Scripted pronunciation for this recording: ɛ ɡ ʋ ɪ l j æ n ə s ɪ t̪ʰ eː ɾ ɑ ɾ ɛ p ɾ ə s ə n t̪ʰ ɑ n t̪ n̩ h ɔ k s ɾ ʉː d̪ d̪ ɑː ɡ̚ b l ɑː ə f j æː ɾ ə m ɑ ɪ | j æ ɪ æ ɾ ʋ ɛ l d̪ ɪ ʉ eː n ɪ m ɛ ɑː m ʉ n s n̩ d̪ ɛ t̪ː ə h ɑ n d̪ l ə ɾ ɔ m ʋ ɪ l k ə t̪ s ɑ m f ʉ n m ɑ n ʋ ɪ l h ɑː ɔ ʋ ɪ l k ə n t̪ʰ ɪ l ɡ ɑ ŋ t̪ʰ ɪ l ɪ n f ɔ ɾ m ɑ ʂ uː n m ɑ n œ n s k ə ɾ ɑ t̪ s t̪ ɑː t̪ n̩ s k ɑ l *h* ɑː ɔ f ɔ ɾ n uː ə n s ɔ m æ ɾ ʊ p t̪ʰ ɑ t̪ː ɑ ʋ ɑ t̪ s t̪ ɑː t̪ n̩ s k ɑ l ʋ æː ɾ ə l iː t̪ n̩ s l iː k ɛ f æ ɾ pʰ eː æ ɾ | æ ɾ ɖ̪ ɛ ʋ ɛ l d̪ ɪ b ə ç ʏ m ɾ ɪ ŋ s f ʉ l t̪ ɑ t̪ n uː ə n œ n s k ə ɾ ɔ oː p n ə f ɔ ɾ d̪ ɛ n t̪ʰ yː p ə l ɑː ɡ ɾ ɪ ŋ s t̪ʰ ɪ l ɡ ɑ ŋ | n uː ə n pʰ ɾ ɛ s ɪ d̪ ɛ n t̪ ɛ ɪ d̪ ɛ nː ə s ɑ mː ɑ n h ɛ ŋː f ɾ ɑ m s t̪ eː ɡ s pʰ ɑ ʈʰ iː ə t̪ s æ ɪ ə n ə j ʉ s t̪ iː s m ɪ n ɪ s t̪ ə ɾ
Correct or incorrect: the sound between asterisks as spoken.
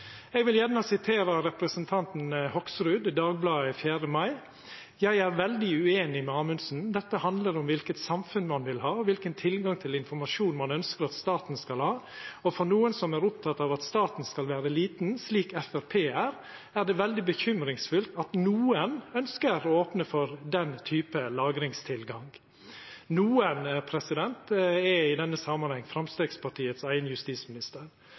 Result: correct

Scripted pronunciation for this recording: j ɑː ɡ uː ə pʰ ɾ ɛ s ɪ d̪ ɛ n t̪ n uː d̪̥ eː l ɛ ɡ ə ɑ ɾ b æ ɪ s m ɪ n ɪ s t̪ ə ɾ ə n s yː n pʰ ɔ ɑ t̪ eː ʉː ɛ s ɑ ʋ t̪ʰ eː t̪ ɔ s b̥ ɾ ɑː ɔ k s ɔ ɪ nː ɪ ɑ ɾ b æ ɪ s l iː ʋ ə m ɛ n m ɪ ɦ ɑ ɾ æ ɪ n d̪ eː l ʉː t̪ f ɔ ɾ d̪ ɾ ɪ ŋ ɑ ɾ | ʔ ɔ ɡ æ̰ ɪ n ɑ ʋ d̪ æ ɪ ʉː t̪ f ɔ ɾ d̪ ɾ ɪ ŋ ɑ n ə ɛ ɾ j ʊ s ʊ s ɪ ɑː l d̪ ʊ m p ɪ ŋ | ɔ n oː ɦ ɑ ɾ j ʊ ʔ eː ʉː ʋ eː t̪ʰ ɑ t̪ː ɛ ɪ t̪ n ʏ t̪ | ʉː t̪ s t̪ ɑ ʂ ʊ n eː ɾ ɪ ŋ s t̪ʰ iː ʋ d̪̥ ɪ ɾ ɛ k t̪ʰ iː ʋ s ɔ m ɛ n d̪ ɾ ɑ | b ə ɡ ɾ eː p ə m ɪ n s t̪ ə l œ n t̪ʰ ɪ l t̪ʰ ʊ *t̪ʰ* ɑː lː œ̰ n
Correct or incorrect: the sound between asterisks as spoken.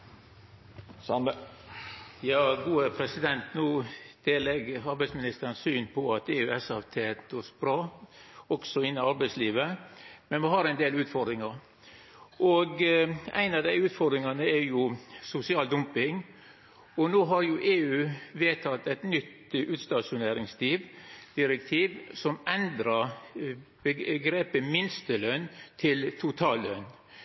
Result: correct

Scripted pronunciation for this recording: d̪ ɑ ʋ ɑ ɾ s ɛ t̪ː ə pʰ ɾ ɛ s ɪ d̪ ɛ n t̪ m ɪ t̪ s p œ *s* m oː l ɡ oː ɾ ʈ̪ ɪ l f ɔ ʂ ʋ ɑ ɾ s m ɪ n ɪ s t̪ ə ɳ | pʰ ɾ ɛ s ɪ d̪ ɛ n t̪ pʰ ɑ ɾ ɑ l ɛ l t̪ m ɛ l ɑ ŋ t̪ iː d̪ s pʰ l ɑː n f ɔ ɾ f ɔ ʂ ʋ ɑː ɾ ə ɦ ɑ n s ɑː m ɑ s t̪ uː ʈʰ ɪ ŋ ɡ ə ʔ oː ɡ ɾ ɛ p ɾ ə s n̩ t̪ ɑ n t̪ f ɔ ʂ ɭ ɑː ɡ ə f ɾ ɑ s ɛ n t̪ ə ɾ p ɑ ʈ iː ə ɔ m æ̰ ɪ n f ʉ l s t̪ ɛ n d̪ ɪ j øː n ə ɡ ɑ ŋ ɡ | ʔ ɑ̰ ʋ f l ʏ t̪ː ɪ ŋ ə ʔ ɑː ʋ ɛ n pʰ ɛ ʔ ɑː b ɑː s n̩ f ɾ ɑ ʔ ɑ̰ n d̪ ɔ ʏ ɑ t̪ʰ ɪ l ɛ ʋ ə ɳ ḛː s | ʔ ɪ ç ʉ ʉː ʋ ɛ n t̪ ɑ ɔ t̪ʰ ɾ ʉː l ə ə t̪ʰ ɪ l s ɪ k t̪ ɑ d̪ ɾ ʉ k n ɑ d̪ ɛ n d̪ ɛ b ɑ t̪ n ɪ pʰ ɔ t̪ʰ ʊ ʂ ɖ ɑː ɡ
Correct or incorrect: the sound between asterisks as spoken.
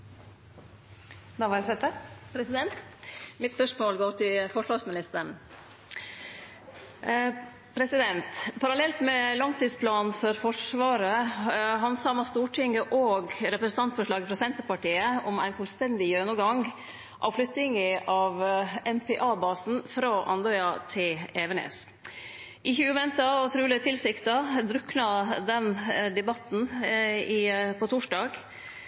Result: incorrect: ʂ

